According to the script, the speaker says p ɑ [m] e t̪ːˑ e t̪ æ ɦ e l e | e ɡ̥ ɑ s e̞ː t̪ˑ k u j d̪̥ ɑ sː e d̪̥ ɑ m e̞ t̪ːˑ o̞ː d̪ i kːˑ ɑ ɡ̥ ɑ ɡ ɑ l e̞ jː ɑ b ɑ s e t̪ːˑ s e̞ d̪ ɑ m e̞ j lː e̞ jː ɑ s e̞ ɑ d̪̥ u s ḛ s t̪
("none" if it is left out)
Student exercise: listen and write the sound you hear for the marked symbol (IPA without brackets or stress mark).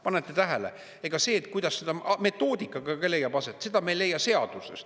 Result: n